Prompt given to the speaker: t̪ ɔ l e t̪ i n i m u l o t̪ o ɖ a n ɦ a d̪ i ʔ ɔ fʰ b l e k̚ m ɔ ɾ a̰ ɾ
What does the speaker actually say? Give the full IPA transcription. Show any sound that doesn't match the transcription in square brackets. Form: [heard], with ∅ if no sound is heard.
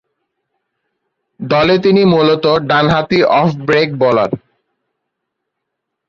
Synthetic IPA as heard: [d̪] ɔ l e t̪ i n i m u l o t̪ o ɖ a n ɦ a [t̪] i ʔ ɔ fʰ b [ɾ] e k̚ [b] ɔ [l] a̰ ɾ